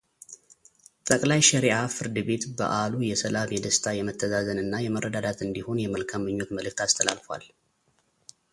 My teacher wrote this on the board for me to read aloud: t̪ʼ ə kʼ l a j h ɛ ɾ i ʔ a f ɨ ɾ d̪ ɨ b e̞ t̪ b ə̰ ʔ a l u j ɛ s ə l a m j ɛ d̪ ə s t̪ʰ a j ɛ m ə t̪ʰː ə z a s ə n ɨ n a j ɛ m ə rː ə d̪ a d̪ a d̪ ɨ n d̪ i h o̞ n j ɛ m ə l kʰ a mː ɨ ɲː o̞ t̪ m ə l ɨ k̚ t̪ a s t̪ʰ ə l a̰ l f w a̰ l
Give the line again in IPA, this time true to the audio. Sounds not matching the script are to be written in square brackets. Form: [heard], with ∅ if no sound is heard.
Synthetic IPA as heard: t̪ʼ ə kʼ l a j [ʃ] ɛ ɾ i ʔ a f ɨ ɾ d̪ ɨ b e̞ t̪ b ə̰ ʔ a l u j ɛ s ə l a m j ɛ d̪ ə s t̪ʰ a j ɛ m ə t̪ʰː ə z a [z] ə n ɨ [nː] a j ɛ m ə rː ə d̪ a d̪ a [t̪] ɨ n d̪ i h o̞ n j ɛ m ə l kʰ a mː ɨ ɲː o̞ t̪ m ə l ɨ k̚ t̪ a s t̪ʰ ə l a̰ l f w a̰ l

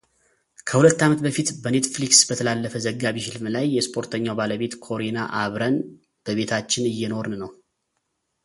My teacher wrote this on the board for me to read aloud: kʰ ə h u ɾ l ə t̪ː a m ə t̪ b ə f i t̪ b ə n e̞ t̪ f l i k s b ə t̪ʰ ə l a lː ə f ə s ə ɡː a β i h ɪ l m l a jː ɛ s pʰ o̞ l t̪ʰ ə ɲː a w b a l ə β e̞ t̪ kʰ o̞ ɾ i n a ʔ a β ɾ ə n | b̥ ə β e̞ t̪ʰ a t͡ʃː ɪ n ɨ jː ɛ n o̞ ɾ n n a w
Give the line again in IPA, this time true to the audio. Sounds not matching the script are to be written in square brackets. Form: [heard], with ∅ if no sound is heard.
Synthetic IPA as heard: kʰ ə h u [∅] l ə t̪ː a m ə t̪ b ə f i t̪ b ə n e̞ t̪ f l i k s b ə t̪ʰ ə l a lː ə f ə [z] ə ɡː a β i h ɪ l m l a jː ɛ s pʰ o̞ [ɾ] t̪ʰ ə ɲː a w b a l ə β e̞ t̪ kʰ o̞ ɾ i n a ʔ a β ɾ ə n | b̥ ə β e̞ t̪ʰ a t͡ʃː ɪ n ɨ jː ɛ n o̞ ɾ n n [ə] w

